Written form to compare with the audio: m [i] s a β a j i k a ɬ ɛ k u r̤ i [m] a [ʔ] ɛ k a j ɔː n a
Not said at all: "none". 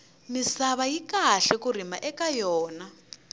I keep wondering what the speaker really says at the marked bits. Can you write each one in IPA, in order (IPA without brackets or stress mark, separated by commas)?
i, m, ʔ